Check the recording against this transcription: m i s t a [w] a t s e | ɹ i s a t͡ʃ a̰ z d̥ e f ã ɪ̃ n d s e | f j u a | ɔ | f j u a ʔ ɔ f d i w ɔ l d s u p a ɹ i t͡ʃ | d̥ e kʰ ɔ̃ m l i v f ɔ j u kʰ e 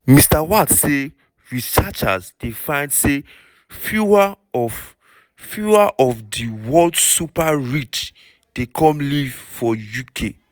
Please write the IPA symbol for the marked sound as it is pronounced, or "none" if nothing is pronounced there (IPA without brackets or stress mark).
w